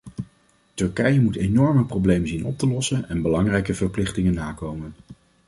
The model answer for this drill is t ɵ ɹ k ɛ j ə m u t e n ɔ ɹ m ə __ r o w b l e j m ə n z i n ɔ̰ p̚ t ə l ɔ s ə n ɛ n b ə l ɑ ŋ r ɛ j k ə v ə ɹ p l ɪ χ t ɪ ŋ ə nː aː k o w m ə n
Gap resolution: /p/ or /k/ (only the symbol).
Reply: p